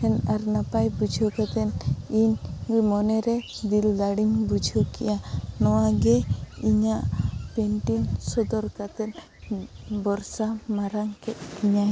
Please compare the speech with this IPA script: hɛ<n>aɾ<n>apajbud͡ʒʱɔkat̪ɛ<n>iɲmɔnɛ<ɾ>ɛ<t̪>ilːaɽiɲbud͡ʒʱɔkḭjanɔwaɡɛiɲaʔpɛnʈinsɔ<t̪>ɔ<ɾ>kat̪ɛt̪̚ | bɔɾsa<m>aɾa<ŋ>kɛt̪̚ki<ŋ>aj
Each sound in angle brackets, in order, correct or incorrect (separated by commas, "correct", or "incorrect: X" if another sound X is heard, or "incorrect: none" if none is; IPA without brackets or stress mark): correct, correct, correct, correct, incorrect: d̪, incorrect: d̪, correct, correct, correct, incorrect: ɲ